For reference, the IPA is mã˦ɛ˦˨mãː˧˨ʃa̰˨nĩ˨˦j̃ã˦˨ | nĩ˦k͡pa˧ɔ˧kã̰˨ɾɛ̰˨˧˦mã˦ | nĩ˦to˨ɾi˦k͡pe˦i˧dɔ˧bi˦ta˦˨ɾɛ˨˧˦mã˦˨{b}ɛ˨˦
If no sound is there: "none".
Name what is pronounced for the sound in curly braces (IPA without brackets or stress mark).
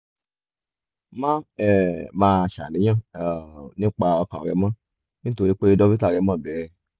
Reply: b